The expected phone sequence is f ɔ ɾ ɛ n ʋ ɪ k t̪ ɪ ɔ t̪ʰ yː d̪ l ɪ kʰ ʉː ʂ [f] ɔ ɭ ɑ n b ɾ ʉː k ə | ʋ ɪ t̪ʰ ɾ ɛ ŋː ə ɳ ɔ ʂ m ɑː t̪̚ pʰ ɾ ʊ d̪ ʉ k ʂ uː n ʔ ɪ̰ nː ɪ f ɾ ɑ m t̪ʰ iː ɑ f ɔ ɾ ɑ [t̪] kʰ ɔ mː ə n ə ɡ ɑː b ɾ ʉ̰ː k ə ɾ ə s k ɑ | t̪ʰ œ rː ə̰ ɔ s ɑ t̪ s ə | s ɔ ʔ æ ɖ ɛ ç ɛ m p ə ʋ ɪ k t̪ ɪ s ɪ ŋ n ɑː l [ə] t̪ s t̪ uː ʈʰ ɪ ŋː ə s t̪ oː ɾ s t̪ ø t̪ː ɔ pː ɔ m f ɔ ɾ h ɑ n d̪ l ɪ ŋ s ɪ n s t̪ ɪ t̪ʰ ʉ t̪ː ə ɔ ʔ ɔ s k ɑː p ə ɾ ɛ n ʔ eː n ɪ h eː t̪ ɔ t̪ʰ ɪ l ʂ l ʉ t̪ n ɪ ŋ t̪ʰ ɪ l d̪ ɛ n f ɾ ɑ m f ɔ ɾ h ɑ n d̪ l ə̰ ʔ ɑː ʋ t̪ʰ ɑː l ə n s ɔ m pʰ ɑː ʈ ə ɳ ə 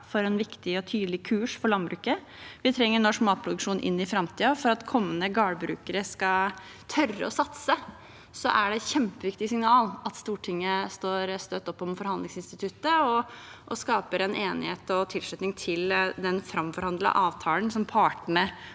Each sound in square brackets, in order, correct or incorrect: correct, correct, incorrect

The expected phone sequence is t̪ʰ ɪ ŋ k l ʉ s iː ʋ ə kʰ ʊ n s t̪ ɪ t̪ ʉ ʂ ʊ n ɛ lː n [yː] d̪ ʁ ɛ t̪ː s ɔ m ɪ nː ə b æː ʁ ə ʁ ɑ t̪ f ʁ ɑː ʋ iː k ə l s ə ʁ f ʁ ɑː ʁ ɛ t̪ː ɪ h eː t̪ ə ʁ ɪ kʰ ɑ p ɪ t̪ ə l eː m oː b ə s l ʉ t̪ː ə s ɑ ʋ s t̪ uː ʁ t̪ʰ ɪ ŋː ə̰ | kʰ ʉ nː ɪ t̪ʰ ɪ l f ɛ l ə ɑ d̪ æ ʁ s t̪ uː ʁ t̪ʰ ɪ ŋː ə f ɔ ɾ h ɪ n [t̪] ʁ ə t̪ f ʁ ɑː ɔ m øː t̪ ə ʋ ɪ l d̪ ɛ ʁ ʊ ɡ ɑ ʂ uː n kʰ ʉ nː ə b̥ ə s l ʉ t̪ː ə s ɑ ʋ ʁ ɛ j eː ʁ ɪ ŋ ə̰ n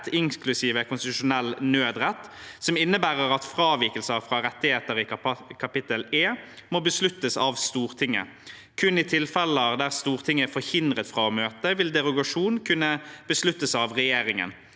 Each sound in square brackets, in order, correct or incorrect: incorrect, incorrect

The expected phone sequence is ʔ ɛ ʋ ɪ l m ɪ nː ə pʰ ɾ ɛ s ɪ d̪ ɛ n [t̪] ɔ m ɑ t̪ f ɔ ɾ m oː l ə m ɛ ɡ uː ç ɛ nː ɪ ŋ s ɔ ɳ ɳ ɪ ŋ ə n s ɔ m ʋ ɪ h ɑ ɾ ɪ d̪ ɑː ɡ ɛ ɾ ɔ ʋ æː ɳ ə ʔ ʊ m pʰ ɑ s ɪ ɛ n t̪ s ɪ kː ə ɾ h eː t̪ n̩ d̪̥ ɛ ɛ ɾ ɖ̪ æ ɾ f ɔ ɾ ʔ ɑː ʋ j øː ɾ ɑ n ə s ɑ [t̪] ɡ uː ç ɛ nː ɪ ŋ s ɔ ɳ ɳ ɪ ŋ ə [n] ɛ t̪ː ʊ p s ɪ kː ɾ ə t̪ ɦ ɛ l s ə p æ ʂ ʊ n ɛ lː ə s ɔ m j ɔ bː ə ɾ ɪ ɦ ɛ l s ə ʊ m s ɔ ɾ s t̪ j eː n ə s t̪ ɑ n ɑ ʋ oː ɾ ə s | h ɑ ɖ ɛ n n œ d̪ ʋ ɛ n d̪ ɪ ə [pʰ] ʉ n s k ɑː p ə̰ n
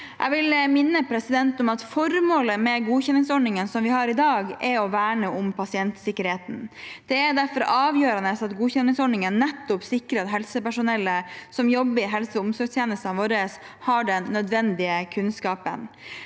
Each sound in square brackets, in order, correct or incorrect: correct, correct, incorrect, incorrect

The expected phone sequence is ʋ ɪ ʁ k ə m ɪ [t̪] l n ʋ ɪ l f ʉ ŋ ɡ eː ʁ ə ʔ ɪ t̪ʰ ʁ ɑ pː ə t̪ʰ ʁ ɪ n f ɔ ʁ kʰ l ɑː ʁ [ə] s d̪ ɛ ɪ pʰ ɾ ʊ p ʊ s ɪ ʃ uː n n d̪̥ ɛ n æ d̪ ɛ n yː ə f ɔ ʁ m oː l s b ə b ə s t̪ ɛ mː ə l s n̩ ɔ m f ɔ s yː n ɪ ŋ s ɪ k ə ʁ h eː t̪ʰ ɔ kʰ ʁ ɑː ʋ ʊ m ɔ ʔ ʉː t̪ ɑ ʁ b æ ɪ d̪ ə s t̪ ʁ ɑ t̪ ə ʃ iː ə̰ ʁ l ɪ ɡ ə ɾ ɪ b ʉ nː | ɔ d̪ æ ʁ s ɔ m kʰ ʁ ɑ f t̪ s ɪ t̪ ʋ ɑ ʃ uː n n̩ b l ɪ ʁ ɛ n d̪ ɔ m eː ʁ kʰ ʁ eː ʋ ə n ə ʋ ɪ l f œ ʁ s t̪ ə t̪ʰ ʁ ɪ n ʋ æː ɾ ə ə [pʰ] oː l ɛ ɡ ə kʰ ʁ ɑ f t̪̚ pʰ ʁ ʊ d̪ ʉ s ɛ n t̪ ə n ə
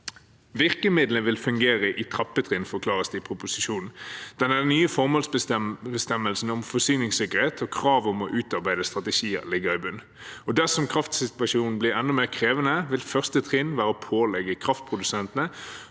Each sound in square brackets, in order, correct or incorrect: incorrect, correct, correct

